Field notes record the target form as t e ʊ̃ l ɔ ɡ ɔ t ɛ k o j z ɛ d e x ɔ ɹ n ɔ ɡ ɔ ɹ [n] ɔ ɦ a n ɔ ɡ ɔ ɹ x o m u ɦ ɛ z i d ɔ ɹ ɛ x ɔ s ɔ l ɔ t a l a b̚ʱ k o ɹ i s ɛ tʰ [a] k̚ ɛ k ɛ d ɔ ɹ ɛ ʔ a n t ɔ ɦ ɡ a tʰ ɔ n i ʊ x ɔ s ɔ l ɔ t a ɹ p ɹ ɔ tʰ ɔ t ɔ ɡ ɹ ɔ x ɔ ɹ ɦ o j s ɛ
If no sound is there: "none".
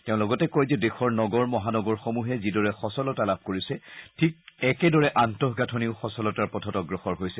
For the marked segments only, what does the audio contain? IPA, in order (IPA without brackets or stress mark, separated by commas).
m, i